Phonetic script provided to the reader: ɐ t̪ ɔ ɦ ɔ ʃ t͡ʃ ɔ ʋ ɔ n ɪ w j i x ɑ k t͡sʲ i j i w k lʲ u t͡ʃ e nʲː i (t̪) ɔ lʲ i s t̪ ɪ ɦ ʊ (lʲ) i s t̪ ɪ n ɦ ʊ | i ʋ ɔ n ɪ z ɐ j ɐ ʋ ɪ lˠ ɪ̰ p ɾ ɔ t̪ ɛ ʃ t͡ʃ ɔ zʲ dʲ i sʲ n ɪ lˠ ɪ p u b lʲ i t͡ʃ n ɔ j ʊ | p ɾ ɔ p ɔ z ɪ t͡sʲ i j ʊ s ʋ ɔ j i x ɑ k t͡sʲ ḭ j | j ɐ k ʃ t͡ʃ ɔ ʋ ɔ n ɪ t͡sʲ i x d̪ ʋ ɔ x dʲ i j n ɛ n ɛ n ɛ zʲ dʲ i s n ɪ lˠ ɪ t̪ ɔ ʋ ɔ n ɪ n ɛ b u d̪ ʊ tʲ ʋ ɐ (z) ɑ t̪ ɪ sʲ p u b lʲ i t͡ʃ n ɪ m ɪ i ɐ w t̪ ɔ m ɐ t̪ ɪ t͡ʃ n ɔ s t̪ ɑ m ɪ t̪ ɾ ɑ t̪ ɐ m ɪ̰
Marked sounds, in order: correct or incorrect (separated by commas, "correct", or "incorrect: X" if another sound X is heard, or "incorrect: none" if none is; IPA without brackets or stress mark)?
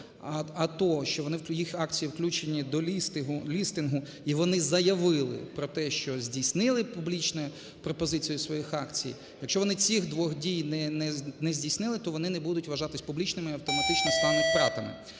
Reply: incorrect: d̪, correct, incorrect: ʒ